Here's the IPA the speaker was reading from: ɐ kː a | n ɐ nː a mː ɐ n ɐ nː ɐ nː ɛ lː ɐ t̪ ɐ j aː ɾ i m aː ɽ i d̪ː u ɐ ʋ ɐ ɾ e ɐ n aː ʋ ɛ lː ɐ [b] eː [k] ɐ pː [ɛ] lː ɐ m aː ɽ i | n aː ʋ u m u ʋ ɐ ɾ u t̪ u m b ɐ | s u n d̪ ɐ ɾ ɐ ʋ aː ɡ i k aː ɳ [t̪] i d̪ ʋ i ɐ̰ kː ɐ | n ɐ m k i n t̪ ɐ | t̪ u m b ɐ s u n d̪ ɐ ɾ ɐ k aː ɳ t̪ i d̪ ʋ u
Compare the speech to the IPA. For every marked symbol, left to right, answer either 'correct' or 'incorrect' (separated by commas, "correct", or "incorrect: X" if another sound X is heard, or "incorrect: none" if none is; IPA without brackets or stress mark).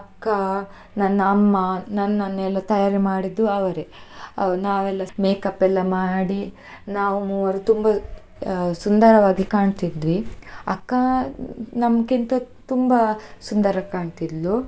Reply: incorrect: m, correct, correct, correct